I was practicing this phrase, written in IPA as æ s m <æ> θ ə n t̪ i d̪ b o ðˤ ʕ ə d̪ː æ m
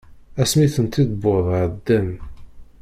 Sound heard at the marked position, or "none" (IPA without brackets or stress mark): i